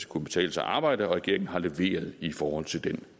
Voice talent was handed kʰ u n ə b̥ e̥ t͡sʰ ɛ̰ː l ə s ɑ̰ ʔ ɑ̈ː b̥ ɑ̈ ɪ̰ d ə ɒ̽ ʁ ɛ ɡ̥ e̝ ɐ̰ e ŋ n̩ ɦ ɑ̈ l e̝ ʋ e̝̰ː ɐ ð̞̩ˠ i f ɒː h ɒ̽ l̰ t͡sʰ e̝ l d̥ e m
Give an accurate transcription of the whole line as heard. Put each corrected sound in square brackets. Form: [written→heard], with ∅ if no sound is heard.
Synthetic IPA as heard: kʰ u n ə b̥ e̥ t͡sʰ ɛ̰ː l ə s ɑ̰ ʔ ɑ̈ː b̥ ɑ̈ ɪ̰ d ə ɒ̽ ʁ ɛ ɡ̥ e̝ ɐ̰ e ŋ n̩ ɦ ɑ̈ l e̝ ʋ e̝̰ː ɐ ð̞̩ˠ i f ɒː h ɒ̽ l̰ t͡sʰ e̝ l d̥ e [m→n]